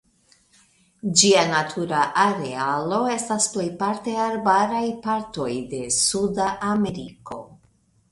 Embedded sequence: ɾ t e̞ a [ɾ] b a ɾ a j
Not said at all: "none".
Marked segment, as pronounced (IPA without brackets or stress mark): ɾ